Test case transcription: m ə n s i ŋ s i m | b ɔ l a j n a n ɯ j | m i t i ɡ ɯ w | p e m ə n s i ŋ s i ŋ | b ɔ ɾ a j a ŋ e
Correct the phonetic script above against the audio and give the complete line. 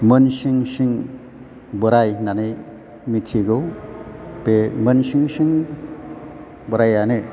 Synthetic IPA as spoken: m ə n s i ŋ s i ŋ | b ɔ ɾ a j n a n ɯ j | m i tʰ i ɡ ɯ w | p e m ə n s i ŋ s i ŋ | b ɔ ɾ a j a n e

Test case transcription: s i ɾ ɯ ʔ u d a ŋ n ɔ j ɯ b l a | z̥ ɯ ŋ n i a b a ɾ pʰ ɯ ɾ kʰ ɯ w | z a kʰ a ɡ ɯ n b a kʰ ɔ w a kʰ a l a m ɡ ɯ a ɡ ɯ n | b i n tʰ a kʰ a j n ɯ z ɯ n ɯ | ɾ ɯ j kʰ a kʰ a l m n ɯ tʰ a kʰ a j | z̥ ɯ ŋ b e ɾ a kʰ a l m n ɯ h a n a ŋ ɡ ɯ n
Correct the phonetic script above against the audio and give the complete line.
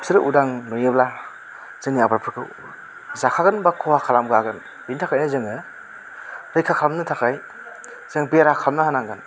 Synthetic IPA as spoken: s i ɾ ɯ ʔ u d a ŋ n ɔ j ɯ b l a | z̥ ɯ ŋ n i a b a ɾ pʰ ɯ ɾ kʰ ɯ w | z a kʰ a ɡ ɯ n b a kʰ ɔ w a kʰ a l a m ɡ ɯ a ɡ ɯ n | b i n tʰ a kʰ a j n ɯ z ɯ ŋ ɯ | ɾ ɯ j kʰ a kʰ a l m n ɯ tʰ a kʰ a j | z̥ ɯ ŋ b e ɾ a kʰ a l m n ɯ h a n a ŋ ɡ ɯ n

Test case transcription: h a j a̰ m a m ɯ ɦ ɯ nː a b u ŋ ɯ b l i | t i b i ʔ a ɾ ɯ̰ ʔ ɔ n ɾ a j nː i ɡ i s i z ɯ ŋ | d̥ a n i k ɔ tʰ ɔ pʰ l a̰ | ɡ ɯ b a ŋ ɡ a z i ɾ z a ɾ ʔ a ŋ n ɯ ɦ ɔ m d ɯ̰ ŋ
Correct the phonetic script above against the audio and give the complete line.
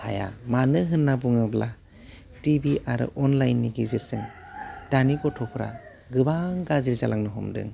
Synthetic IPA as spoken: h a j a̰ m a n ɯ ɦ ɯ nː a b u ŋ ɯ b l a | t i b i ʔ a ɾ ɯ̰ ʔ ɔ n l a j nː i ɡ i z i s ɯ ŋ | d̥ a n i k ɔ tʰ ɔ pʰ ɾ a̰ | ɡ ɯ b a ŋ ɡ a z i ɾ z a l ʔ a ŋ n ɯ ɦ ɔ m d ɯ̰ ŋ

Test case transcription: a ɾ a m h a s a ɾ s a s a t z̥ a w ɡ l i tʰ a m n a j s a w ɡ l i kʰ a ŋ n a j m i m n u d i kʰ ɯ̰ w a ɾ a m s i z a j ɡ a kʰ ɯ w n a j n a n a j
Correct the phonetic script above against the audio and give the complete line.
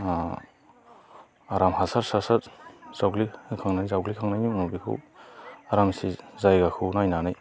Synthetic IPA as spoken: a ɾ a m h a s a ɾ s a s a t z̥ a w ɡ l i kʰ a ŋ n a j z a w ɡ l i kʰ a ŋ n a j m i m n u b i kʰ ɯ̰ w a ɾ a m s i z a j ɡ a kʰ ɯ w n a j n a n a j

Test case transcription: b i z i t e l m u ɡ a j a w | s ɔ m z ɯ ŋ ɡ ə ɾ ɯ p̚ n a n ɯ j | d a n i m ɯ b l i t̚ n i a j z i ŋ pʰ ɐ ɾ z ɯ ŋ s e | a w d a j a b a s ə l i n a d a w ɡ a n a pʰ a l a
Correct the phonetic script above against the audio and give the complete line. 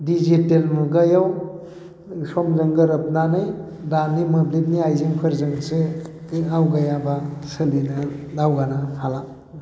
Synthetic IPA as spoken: d i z i t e l m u ɡ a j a w | s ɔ m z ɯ ŋ ɡ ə ɾ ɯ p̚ n a n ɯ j | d a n i m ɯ b l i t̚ n i a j z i ŋ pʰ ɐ ɾ z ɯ ŋ s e | a w ɡ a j a b a s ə l i n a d a w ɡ a n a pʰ a l a

